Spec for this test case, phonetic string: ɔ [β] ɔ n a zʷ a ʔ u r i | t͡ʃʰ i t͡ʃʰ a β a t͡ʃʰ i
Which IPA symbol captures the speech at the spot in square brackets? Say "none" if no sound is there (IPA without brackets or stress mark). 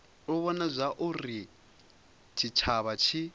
β